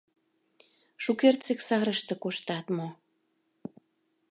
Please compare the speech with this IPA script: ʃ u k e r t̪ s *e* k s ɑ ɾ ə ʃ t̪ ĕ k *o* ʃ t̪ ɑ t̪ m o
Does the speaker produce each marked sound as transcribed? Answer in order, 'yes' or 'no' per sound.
yes, yes

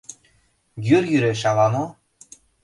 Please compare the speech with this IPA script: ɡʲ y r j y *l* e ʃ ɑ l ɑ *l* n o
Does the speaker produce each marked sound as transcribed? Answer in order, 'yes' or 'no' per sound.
no, no

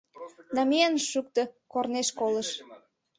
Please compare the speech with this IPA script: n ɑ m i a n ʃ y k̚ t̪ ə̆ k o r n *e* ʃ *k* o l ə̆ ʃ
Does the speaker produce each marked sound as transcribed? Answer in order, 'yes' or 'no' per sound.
yes, yes

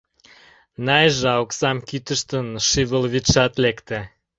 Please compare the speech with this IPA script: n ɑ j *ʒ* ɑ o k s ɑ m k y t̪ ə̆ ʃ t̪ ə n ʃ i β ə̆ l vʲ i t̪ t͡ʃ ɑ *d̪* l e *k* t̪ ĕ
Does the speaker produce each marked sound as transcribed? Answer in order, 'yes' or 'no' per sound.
yes, no, yes

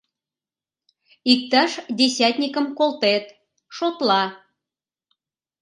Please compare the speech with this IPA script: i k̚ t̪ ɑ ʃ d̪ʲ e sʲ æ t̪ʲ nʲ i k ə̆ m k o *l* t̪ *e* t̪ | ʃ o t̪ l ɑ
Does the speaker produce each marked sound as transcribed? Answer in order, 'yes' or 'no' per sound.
yes, yes

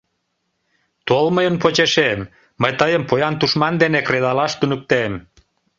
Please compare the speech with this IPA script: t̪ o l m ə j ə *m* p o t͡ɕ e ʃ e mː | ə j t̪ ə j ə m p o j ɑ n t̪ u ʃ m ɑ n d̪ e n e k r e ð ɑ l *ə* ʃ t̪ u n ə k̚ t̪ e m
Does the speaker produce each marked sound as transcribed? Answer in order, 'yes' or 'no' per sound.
no, no

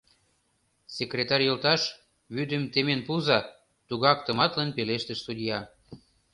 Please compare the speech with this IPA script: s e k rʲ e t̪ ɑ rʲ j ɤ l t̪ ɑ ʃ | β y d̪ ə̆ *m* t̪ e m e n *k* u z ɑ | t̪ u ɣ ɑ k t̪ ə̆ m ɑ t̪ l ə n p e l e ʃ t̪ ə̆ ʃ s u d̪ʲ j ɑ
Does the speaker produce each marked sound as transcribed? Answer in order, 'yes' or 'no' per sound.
yes, no

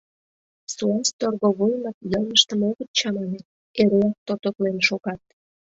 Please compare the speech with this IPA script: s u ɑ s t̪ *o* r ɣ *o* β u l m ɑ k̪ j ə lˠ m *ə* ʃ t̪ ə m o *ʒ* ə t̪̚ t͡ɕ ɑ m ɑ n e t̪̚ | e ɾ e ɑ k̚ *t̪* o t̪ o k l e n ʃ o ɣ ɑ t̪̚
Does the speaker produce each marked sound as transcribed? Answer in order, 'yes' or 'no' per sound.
yes, yes, yes, no, yes

